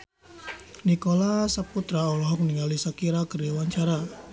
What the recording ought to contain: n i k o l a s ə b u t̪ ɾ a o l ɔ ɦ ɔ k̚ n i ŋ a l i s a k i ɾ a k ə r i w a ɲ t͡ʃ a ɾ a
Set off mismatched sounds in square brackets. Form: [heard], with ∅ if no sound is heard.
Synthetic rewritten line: n i k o l a s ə [p] u t̪ ɾ a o l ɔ ɦ ɔ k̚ n i ŋ a l i s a k i ɾ a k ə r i w a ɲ t͡ʃ a ɾ a